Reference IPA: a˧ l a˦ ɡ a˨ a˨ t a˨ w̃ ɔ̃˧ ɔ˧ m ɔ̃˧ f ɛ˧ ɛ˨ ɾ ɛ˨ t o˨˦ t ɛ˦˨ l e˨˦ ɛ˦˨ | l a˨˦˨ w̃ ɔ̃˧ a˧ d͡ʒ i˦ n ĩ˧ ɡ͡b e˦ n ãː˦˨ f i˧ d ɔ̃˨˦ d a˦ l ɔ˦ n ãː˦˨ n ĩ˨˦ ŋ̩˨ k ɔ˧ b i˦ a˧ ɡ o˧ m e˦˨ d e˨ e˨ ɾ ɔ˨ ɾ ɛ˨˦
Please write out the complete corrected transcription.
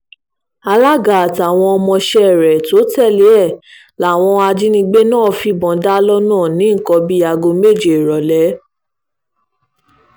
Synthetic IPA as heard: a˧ l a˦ ɡ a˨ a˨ t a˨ w̃ ɔ̃˧ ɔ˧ m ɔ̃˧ ʃ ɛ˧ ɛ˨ ɾ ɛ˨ t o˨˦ t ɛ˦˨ l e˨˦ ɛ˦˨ | l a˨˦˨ w̃ ɔ̃˧ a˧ d͡ʒ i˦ n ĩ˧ ɡ͡b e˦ n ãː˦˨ f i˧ b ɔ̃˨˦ d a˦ l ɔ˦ n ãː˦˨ n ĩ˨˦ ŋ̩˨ k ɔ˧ b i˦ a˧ ɡ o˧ m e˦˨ d͡ʒ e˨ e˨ ɾ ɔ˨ l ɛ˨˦